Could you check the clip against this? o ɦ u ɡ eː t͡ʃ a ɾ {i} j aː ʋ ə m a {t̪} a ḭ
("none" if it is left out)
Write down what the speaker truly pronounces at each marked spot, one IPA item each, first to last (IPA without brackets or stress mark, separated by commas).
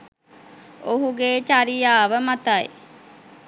i, t̪